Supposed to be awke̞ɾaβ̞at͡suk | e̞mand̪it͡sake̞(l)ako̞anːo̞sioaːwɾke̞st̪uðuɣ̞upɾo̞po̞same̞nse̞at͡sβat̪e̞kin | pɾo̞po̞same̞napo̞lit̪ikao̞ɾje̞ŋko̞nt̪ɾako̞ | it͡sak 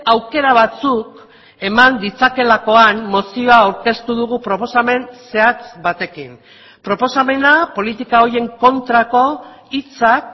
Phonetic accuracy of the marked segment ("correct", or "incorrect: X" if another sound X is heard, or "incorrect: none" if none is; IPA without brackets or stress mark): correct